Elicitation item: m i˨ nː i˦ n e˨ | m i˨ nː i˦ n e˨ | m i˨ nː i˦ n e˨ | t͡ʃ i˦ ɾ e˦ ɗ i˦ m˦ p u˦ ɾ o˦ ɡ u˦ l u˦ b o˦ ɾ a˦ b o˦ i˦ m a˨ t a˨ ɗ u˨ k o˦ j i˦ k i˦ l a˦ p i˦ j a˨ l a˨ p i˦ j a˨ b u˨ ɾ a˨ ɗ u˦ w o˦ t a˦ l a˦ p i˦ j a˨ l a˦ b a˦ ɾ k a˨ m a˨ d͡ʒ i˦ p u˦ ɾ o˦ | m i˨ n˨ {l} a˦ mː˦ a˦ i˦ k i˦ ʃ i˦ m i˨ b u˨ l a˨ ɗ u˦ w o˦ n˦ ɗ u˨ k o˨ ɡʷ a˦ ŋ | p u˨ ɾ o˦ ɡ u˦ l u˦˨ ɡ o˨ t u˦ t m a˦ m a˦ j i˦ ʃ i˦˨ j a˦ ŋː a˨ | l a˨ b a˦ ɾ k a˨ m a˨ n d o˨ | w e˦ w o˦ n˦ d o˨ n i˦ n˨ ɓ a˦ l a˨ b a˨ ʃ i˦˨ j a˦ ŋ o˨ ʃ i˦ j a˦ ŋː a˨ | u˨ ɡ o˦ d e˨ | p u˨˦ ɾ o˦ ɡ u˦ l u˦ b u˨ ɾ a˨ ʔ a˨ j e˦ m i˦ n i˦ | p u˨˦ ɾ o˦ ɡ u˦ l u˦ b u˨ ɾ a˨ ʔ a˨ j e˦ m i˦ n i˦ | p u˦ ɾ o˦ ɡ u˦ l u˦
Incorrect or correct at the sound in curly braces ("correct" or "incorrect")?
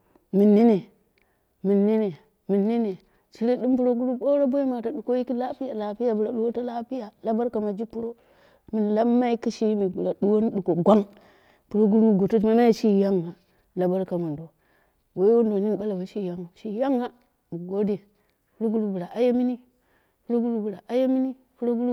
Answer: correct